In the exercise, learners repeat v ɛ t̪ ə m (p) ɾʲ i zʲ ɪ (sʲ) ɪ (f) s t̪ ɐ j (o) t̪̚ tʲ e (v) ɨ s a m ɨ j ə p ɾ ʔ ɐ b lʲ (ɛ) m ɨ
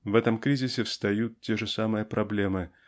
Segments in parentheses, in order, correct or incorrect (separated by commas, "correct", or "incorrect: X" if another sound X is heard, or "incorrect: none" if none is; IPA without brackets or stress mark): incorrect: k, correct, correct, incorrect: u, incorrect: ʐ, incorrect: e